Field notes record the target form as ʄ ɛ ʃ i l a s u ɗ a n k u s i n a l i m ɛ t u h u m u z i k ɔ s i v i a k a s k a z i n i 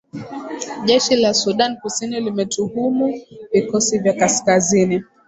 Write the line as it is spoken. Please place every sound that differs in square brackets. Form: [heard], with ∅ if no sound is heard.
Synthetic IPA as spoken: ʄ ɛ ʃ i l a s u ɗ a n k u s i n [i] l i m ɛ t u h u m u [v] i k ɔ s i v [j] a k a s k a z i n i